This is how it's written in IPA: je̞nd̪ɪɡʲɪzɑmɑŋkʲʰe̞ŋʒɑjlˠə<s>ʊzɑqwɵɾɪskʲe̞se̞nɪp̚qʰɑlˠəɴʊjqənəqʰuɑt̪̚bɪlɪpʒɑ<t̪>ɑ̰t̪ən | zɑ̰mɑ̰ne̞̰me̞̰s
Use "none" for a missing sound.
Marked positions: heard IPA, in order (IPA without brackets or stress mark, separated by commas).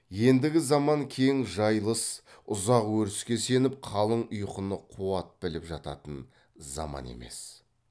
s, t̪